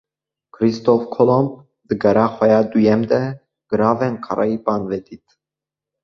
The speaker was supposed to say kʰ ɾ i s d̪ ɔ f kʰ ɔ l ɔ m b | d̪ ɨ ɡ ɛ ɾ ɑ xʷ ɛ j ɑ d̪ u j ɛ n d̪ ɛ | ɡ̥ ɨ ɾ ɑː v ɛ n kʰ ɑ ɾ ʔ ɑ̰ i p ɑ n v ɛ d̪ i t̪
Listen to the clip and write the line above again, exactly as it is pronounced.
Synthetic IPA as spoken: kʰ ɾ i s t̪ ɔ f kʰ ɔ l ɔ m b | d̪ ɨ ɡ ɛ ɾ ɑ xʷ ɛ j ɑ d̪ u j ɛ m d̪ ɛ | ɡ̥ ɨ ɾ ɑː v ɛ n kʰ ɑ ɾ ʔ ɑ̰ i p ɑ n v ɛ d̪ i t̪